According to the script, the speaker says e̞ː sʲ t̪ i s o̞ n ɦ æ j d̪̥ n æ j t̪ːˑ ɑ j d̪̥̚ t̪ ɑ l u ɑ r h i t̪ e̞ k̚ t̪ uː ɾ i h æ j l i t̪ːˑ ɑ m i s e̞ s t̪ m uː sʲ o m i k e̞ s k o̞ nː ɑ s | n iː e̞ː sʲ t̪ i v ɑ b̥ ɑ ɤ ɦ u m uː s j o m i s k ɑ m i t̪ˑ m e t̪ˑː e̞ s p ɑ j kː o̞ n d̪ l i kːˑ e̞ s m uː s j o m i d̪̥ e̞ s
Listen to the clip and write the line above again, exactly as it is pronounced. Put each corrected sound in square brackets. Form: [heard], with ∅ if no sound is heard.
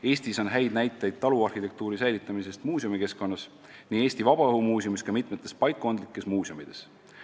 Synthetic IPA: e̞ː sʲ t̪ i s o̞ n ɦ æ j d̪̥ n æ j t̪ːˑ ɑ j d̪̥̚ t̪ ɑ l u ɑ r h i t̪ e̞ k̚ t̪ uː ɾ i [s] æ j l i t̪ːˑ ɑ m i s e̞ s t̪ m uː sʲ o m i k e̞ s k o̞ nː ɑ s | n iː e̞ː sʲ t̪ i v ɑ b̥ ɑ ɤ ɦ u m uː s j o m i s k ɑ m i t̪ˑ m e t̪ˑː e̞ s p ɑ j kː o̞ n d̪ l i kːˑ e̞ s m uː s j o m i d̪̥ e̞ s